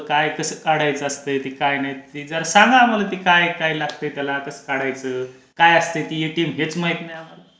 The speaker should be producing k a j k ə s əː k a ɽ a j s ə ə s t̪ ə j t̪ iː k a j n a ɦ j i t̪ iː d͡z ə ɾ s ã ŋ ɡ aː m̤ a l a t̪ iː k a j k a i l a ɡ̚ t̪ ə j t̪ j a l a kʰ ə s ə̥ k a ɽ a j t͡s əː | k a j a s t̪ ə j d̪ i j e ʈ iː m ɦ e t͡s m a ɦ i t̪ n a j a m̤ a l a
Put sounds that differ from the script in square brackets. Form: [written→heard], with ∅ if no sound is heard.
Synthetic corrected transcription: k a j k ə s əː k a ɽ a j [s→t͡s] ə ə s t̪ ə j t̪ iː k a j n a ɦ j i t̪ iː d͡z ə ɾ s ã ŋ ɡ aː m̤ a l a t̪ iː k a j k a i l a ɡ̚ t̪ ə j t̪ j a l a [kʰ→k] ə s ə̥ k a ɽ a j t͡s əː | k a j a s t̪ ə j [d̪→t̪] i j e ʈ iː m ɦ e t͡s m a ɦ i t̪ n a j a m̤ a l a